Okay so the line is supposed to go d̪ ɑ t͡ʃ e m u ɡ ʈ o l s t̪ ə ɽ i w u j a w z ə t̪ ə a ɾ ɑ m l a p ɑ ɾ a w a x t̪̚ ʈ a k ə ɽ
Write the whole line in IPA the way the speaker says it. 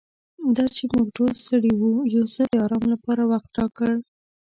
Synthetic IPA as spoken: d̪ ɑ t͡ʃ e m u ɡ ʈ o l s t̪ ə ɽ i w u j a w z ə d̪ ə ɑ ɾ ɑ m l a p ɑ ɾ a w a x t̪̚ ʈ ɑ k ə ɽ